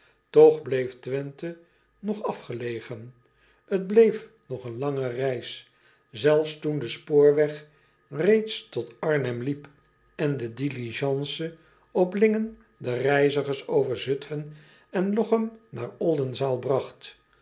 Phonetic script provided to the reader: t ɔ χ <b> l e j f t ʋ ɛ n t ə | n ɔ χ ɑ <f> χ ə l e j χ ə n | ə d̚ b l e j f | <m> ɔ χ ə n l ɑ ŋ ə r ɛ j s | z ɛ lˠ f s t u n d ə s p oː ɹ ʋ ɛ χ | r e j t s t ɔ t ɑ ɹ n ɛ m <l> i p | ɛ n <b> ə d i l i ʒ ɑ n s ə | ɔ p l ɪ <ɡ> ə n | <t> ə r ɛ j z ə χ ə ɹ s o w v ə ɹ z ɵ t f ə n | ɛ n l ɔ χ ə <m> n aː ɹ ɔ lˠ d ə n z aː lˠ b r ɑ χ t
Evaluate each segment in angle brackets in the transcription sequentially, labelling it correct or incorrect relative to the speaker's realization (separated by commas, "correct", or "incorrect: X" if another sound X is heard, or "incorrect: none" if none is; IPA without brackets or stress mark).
correct, correct, incorrect: n, correct, incorrect: d, incorrect: ŋ, incorrect: d, correct